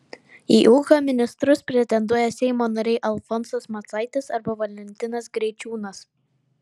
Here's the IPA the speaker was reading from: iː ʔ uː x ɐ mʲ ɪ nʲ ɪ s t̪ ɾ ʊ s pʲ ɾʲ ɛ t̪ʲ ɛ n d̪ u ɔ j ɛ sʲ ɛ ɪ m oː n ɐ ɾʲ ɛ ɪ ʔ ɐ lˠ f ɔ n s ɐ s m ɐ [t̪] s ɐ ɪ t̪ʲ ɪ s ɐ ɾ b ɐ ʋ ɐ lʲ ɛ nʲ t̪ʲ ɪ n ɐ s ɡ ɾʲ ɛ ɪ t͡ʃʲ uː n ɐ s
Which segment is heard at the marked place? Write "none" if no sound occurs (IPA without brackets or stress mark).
t̪